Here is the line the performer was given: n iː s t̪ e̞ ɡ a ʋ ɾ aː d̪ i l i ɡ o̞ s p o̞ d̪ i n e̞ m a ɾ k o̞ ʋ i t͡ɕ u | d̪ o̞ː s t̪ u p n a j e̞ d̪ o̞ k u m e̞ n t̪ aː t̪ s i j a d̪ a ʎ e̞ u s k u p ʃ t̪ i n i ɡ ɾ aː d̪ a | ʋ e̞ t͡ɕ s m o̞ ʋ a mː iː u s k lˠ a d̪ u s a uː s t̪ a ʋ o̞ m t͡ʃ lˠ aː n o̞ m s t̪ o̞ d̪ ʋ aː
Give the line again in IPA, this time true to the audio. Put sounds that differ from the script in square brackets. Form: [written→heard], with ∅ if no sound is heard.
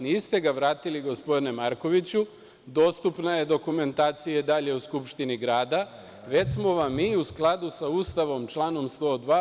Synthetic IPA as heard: n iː s t̪ e̞ ɡ a ʋ ɾ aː [d̪→t̪] i l i ɡ o̞ s p o̞ d̪ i n e̞ m a ɾ k o̞ ʋ i t͡ɕ u | d̪ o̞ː s t̪ u p n a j e̞ d̪ o̞ k u m e̞ n t̪ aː t̪ s i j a d̪ a ʎ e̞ u s k u p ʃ t̪ i n i ɡ ɾ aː d̪ a | ʋ e̞ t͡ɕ s m o̞ ʋ a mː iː u s k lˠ a d̪ u s a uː s t̪ a ʋ o̞ m t͡ʃ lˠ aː n o̞ m s t̪ o̞ d̪ ʋ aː